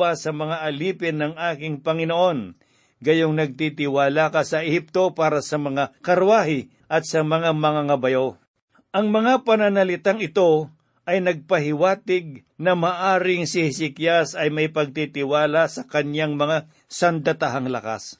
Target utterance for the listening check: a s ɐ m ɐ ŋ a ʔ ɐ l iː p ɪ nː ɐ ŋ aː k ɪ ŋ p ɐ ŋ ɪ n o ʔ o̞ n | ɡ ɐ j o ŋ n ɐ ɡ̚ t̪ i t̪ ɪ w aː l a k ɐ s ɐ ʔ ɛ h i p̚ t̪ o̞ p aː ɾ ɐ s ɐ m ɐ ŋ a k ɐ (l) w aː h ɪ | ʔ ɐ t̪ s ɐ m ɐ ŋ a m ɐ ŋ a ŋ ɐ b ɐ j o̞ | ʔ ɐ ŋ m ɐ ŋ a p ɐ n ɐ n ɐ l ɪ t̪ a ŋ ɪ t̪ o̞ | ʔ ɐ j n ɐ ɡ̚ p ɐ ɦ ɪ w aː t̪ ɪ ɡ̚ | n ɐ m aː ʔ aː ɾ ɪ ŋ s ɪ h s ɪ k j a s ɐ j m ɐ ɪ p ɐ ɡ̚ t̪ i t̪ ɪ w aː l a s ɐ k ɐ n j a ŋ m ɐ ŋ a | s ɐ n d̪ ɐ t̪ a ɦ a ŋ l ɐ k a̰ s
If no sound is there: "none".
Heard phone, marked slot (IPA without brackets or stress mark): ɾ